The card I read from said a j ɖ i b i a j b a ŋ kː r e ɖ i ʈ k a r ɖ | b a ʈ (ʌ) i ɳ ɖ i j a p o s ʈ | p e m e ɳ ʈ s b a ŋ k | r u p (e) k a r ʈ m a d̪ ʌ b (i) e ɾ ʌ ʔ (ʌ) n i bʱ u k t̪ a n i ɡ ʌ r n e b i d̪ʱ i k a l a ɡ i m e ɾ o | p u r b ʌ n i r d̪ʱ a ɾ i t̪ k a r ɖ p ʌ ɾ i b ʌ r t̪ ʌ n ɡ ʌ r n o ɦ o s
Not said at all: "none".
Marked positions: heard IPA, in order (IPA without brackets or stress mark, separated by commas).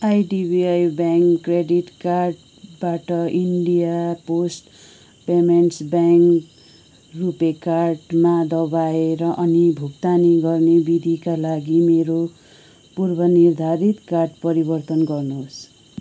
ʌ, e, a, ʌ